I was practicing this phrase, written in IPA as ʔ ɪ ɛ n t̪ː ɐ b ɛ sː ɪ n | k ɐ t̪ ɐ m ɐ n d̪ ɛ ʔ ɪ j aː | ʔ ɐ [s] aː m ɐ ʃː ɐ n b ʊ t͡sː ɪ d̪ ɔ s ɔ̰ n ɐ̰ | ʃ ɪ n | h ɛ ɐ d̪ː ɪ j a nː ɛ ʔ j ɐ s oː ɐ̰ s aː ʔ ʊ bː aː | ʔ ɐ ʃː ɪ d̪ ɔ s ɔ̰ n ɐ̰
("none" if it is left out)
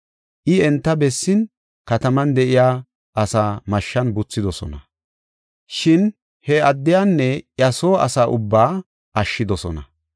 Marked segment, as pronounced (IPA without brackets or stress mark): s